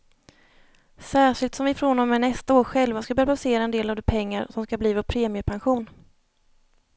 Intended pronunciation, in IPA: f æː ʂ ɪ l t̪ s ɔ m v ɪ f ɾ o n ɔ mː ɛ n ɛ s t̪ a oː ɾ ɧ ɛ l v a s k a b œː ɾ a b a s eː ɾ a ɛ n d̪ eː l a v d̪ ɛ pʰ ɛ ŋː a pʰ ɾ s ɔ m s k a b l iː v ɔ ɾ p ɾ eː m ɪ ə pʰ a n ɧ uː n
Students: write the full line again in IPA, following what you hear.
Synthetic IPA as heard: s æː ʂ ɪ l t̪ s ɔ m v ɪ f ɾ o n ɔ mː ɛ n ɛ s t̪ a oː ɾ ɧ ɛ l v a s k a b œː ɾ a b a s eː ɾ a ɛ n d̪ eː l a v d̪ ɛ pʰ ɛ ŋː a ɾ s ɔ m s k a b l iː v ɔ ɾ pʰ ɾ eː m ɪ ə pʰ a n ɧ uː n